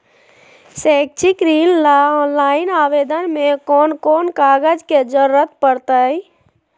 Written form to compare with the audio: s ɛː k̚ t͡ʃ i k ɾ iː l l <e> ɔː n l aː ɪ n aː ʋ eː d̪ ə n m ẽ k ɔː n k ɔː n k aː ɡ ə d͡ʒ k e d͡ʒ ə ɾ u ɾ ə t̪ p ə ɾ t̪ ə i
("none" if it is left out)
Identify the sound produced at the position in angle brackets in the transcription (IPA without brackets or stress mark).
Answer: a